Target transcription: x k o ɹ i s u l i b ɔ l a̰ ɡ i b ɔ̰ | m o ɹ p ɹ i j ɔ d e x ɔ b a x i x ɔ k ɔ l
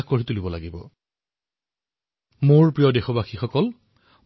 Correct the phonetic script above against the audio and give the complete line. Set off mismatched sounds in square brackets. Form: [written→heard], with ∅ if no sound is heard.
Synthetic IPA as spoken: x k o ɹ i [s→t] u l i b ɔ l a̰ ɡ i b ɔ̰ | m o ɹ p ɹ i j ɔ d e x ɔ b a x i x ɔ k ɔ l

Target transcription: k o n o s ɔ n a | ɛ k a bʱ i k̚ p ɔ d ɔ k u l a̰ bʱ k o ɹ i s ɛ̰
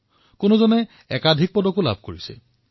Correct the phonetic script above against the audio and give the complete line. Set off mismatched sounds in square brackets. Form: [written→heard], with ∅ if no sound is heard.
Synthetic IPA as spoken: k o n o [s→z] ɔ n [a→ɛ] | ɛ k a [bʱ→dʱ] i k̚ p ɔ d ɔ k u l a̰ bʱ k o ɹ i s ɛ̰

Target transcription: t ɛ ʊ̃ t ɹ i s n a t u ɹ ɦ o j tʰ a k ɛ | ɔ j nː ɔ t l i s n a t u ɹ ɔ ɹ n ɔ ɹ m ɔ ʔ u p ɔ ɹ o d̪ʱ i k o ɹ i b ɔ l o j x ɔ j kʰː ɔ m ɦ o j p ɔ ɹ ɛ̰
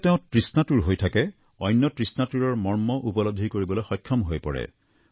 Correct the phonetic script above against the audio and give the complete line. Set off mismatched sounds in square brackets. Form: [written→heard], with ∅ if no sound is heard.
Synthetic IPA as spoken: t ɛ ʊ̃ t ɹ i s n a t u ɹ ɦ o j tʰ a k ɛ | ɔ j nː ɔ t [l→ɹ] i s n a t u ɹ ɔ ɹ [n→m] ɔ ɹ m ɔ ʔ u p ɔ [ɹ→l] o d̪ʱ i k o ɹ i b ɔ l o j x ɔ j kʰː ɔ m ɦ o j p ɔ ɹ ɛ̰

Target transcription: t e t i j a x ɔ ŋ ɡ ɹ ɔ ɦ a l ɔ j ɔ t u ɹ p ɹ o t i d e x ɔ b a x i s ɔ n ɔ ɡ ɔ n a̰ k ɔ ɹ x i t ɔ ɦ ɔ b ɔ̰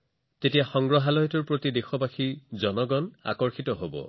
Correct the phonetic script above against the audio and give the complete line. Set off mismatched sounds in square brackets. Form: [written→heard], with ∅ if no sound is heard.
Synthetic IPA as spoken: t e t i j a x ɔ ŋ ɡ ɹ ɔ ɦ a l ɔ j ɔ t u ɹ p ɹ o t i d e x ɔ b a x i [s→z] ɔ n ɔ ɡ ɔ n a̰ k ɔ ɹ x i t ɔ ɦ [ɔ→o] b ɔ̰

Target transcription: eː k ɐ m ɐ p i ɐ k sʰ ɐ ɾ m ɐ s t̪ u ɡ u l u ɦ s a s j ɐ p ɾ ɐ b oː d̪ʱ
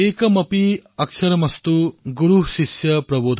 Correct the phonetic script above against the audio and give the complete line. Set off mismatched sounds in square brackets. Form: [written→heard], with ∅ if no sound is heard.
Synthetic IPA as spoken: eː k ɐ m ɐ p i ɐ k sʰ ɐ ɾ m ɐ s t̪ u ɡ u [l→ɾ] u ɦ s [a→i] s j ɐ p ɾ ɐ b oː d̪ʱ

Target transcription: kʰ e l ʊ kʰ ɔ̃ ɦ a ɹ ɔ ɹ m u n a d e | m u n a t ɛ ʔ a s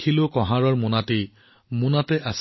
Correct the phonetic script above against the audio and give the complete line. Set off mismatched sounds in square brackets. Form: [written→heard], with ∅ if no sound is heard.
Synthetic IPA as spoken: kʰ [e→i] l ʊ [kʰ→k] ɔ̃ ɦ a ɹ ɔ ɹ m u n a [d→t] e | m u n a t ɛ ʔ a s

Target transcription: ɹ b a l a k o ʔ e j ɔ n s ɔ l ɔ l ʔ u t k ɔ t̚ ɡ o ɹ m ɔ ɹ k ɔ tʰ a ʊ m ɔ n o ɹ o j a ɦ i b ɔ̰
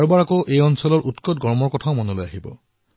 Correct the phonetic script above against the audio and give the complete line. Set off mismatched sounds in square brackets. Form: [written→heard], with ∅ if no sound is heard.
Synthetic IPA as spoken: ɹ b a [l→ɹ] a k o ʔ e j ɔ n s ɔ l ɔ [l→ɹ] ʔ u t k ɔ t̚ ɡ [o→ɔ] ɹ m ɔ ɹ k ɔ tʰ a ʊ m ɔ n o [ɹ→l] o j a ɦ i b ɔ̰

